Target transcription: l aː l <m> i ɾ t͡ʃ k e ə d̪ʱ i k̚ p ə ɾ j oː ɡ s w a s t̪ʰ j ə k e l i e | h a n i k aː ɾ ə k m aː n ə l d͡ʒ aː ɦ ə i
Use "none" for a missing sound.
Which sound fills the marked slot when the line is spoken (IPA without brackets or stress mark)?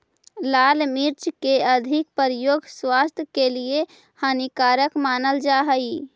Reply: m